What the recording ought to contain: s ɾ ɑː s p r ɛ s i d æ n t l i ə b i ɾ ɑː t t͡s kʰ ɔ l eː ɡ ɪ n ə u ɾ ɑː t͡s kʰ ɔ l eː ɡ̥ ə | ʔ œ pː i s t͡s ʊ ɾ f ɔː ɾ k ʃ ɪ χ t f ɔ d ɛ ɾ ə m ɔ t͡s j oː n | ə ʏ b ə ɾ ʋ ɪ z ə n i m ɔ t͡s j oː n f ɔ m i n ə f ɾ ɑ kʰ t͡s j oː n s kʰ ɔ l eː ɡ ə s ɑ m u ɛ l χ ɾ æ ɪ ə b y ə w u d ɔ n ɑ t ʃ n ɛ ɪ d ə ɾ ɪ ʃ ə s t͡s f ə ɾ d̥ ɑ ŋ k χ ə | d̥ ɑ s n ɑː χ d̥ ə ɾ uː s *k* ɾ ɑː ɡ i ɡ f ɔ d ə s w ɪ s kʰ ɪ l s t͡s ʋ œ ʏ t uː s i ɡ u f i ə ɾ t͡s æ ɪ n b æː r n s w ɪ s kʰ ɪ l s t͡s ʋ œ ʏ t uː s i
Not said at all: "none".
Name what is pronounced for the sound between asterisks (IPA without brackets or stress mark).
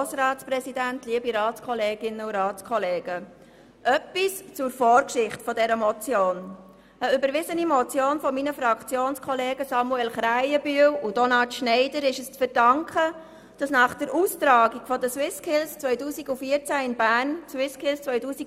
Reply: t